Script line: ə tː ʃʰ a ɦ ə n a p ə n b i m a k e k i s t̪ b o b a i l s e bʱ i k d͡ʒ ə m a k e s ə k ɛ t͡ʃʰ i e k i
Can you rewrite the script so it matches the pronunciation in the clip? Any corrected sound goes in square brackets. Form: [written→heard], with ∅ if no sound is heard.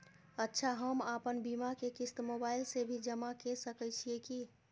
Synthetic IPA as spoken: ə tː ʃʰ a ɦ ə [n→m] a p ə n b i m a k e k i s t̪ [b→m] o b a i l s e bʱ i [k→∅] d͡ʒ ə m a k e s ə k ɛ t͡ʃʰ i e k i